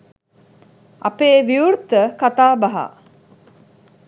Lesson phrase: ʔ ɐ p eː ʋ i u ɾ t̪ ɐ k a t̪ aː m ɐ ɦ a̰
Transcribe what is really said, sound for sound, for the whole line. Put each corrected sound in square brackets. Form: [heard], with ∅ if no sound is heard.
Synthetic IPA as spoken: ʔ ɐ p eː ʋ i u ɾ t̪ [ə] k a t̪ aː [b] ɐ ɦ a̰

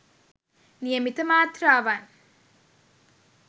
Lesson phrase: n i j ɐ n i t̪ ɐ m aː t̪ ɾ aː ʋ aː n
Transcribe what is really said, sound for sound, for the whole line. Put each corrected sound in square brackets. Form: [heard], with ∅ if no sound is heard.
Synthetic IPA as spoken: n i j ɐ [m] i t̪ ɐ m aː t̪ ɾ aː ʋ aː n

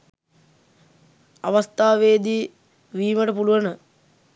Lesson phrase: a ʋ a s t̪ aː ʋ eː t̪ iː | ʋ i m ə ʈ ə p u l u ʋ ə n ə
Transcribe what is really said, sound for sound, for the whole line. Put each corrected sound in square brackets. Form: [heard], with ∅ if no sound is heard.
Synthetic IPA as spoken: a ʋ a s t̪ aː ʋ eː [d̪] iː | ʋ [iː] m ə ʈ ə p u l u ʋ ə n ə

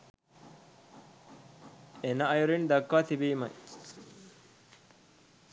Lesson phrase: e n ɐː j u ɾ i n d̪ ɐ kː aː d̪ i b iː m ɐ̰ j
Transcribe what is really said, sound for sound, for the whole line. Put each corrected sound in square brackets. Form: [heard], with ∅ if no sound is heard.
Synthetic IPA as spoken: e n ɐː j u ɾ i n d̪ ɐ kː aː [t̪] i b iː m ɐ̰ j

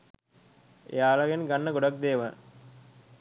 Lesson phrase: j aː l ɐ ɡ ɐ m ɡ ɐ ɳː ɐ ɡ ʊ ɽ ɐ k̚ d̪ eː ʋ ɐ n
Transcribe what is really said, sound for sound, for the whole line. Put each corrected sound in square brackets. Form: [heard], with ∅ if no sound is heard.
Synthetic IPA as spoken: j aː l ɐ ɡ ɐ [n] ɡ ɐ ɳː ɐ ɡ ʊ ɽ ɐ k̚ d̪ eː ʋ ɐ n

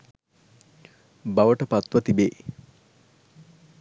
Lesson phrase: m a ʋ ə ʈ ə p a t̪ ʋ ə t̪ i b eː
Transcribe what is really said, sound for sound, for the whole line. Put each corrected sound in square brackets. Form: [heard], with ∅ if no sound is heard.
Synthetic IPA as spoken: [b] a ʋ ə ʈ ə p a t̪ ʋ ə t̪ i b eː

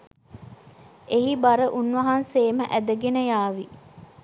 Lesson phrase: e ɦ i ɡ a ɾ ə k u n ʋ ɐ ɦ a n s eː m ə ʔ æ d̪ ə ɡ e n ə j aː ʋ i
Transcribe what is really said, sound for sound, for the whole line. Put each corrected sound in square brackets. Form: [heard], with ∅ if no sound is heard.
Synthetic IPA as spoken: e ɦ i [b] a ɾ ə [ʔ] u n ʋ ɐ ɦ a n s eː m ə ʔ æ d̪ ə ɡ e n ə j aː ʋ i

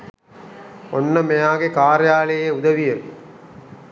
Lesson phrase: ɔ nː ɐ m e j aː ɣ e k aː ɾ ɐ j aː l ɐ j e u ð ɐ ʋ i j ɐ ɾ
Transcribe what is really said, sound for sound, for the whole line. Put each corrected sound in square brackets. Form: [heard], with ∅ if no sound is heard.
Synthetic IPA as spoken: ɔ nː ɐ m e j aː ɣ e k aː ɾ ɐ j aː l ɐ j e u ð ɐ ʋ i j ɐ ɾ

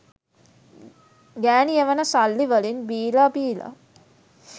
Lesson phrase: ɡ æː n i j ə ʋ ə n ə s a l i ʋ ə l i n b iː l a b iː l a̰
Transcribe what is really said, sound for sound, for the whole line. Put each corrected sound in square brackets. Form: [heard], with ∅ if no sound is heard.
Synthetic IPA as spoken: ɡ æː n i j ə ʋ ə n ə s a [lː] i ʋ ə l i n b iː l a b iː l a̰

